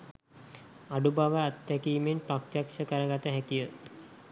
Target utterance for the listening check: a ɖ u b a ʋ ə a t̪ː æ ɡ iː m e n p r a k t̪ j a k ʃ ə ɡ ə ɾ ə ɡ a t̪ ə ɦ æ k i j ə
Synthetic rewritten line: a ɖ u b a ʋ ə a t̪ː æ k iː m e n p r a k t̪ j a k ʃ ə k ə ɾ ə ɡ a t̪ ə ɦ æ k i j ə